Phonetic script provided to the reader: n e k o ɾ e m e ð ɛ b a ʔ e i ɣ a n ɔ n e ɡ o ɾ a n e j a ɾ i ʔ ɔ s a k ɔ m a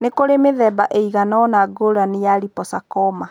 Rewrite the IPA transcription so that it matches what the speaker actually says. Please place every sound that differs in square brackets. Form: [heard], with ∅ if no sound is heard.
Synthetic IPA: n e k o ɾ e m e ð ɛ b a ʔ e i ɣ a n ɔ n [a] ɡ o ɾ a n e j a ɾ i [p] ɔ s a k ɔ m a